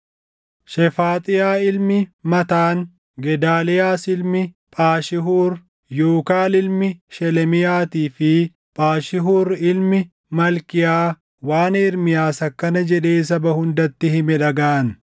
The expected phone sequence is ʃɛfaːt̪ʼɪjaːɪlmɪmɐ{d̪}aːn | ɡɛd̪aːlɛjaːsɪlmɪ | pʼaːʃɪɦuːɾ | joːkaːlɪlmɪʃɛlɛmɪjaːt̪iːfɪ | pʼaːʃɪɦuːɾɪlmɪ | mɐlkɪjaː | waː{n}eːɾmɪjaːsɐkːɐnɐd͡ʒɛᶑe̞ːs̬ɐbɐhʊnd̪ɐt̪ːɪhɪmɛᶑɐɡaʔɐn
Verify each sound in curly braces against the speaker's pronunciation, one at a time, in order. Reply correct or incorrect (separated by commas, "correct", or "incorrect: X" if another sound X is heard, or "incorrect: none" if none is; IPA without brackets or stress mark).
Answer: incorrect: t̪, correct